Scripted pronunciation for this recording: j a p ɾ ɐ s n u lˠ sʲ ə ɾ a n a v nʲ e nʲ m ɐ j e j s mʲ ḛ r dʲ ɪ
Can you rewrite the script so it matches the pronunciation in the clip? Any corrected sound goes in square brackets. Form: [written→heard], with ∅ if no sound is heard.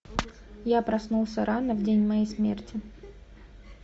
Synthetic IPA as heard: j a p ɾ ɐ s n u lˠ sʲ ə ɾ a n [a→ə] v [nʲ→dʲ] e nʲ m ɐ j e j s mʲ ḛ r [dʲ→tʲ] ɪ